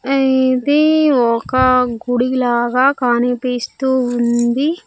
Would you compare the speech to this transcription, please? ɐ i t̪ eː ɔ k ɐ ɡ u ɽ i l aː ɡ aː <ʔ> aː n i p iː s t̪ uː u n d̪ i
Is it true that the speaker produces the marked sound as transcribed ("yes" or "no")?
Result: no